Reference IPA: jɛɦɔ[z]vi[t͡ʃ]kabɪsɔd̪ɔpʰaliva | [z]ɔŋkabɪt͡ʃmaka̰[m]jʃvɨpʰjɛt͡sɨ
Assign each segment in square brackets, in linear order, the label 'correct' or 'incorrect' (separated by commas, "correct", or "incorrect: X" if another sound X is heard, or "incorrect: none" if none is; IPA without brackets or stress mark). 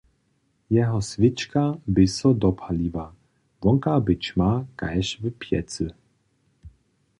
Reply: incorrect: s, correct, incorrect: v, incorrect: none